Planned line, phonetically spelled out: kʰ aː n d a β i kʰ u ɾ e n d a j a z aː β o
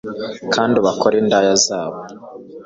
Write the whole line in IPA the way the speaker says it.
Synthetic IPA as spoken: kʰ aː n d i β a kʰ o ɾ e n d a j a z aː β o